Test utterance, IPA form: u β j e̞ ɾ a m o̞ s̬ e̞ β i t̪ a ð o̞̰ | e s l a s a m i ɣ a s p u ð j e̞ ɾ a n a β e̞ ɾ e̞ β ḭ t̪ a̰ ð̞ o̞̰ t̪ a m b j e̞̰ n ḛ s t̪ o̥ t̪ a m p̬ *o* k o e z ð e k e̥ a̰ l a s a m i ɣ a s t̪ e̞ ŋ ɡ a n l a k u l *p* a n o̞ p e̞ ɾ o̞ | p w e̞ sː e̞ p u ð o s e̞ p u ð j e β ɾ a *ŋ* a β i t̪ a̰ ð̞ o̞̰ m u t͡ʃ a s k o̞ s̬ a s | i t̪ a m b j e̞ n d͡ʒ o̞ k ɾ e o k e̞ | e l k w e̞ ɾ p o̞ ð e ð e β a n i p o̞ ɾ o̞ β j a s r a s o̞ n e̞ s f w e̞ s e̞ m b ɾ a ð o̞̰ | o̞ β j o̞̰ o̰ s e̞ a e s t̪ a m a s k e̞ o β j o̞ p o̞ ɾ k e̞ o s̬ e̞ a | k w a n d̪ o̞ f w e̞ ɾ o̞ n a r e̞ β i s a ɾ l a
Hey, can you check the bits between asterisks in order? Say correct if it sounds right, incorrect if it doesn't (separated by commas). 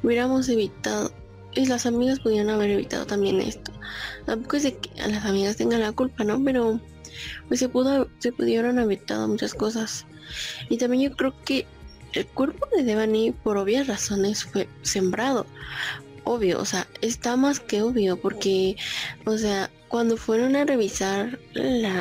correct, correct, incorrect